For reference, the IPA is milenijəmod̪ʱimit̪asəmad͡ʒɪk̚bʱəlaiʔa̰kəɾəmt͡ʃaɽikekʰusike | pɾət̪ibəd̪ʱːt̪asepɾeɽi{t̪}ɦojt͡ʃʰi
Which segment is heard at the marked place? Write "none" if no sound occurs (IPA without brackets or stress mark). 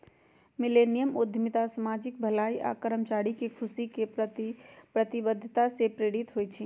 t̪